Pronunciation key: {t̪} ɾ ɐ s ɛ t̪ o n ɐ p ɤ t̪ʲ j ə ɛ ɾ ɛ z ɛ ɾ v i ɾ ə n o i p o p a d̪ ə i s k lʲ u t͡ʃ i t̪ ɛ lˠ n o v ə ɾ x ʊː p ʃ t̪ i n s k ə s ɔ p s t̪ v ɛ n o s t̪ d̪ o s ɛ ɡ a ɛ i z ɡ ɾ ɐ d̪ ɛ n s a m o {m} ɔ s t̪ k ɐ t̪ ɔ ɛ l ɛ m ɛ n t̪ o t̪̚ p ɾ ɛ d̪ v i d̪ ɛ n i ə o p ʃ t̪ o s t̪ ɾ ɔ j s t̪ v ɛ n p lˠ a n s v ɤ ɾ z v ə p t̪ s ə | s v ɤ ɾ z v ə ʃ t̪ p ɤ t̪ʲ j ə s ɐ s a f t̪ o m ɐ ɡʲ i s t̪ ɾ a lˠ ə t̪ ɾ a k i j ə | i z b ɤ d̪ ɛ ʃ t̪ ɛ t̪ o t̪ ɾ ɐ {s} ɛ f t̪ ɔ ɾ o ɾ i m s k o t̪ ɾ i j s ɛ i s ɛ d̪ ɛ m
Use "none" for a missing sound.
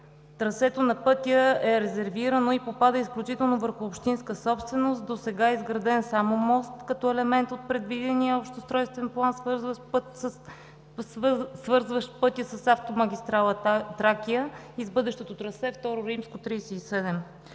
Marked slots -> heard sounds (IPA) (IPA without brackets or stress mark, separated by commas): t̪, m, s